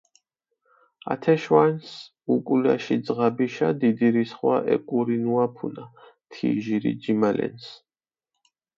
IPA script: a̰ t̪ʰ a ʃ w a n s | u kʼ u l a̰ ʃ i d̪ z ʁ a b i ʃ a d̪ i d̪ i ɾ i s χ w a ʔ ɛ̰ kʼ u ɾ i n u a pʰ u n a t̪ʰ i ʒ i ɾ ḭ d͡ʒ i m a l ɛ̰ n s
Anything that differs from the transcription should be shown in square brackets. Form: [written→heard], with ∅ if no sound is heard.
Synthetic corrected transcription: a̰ t̪ʰ [a→ɛ] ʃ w a n s | u kʼ u l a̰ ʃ i d̪ z ʁ a b i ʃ a d̪ i d̪ i ɾ i s χ w a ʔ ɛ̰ kʼ u ɾ i n u a pʰ u n a t̪ʰ i ʒ i ɾ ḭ d͡ʒ i m a l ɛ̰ n s